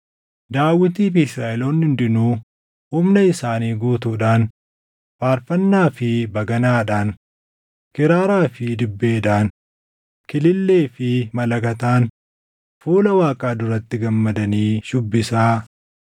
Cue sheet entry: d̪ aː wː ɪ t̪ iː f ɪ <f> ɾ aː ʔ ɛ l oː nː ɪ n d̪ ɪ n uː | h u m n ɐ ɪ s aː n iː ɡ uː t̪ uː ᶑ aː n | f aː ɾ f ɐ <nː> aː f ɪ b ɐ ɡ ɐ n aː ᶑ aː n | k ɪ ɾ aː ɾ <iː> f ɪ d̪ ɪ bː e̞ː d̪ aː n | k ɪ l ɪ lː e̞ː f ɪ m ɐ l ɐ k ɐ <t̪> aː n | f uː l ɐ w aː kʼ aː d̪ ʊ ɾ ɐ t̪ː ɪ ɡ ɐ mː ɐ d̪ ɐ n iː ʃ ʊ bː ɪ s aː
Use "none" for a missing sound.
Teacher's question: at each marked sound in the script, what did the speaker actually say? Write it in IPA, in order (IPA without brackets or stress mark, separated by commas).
s, nː, aː, t̪